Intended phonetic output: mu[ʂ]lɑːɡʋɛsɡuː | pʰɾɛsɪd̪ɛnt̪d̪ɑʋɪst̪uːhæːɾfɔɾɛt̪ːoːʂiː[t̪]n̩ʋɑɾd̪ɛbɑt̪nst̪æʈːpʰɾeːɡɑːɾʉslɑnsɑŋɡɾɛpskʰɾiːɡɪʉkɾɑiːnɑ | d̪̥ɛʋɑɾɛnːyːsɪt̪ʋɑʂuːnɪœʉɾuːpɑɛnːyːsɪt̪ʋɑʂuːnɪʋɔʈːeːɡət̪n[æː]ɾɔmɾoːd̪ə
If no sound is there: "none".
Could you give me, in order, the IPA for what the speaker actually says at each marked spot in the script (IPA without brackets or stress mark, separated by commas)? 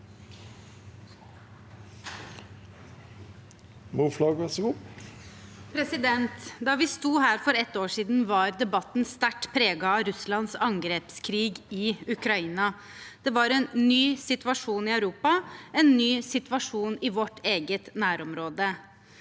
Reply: f, d̪, æː